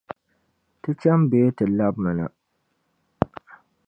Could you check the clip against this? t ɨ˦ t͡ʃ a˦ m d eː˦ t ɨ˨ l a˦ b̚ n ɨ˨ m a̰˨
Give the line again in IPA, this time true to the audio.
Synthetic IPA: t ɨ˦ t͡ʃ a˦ m b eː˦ t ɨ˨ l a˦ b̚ m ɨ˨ n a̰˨

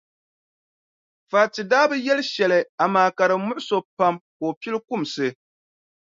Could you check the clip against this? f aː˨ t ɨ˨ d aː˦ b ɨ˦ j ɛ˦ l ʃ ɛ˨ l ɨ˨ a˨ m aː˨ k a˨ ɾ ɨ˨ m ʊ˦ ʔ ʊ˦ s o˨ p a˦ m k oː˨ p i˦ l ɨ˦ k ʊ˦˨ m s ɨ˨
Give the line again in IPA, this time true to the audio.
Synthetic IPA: f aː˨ t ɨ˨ d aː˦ b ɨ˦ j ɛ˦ l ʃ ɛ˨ l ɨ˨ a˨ m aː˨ k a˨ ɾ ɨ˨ m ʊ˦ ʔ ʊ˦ s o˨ p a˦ m k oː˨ p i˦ l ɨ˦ k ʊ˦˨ m s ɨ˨

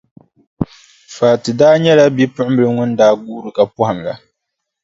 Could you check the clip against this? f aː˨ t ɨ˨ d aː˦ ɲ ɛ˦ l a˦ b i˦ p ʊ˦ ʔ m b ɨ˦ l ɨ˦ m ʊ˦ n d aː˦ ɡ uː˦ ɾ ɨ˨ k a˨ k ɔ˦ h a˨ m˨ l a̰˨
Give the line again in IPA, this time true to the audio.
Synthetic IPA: f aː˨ t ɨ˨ d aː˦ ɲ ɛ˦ l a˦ b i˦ p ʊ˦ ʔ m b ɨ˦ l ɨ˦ ŋ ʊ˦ n d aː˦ ɡ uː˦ ɾ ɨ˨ k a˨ p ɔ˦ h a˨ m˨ l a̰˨

